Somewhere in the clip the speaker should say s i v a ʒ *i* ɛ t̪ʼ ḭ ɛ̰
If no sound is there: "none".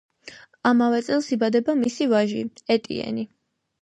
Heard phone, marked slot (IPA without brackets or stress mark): i